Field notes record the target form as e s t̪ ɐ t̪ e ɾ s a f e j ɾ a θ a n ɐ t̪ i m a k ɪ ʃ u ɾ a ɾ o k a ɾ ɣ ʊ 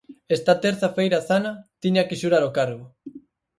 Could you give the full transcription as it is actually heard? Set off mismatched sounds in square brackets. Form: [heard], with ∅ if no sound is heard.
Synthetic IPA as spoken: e s t̪ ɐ t̪ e ɾ [θ] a f e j ɾ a θ a n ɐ t̪ i [ɲ] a k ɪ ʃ u ɾ a ɾ o k a ɾ ɣ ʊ

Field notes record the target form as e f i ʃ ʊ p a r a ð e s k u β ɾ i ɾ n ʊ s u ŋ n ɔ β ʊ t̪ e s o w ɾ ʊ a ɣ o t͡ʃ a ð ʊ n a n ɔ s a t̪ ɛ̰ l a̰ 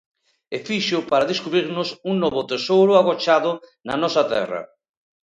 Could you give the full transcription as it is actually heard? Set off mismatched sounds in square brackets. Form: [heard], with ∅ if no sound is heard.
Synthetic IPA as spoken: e f i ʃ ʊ p a [ɾ] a ð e s k u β ɾ i ɾ n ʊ s u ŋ n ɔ β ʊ t̪ e s o w ɾ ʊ a ɣ o t͡ʃ a ð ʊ n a n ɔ s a t̪ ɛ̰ [r] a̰

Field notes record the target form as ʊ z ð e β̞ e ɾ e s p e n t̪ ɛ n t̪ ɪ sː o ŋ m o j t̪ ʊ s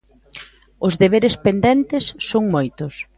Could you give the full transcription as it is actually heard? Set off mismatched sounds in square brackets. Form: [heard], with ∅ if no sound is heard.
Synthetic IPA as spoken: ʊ z ð e β̞ e ɾ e s p e n [d̪] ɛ n t̪ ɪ sː o ŋ m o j t̪ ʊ s

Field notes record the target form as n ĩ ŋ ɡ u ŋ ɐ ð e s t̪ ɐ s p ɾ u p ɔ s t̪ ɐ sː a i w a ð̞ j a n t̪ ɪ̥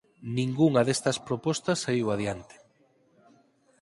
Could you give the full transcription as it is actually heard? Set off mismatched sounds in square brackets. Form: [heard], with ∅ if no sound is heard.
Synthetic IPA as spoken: n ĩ ŋ ɡ u ŋ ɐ ð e s t̪ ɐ s p ɾ [o] p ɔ s t̪ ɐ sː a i w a ð̞ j a n t̪ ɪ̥

